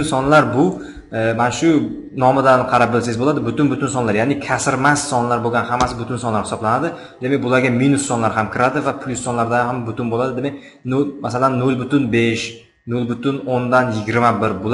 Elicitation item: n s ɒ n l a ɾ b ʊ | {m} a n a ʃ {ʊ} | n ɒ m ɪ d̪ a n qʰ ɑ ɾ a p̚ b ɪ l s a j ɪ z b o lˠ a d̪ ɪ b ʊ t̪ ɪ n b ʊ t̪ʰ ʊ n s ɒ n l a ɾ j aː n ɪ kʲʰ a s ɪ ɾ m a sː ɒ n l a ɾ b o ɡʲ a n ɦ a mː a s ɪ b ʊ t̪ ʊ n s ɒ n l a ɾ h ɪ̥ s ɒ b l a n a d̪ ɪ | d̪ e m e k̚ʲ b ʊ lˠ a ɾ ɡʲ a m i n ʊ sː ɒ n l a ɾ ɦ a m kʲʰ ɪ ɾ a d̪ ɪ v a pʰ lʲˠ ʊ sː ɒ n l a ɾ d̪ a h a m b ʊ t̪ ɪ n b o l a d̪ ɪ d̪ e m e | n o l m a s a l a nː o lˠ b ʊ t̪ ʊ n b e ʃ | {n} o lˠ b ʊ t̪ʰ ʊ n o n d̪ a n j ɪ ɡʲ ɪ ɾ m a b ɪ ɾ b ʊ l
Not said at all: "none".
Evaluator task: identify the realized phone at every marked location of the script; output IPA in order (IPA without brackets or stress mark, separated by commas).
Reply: m, ʊ, n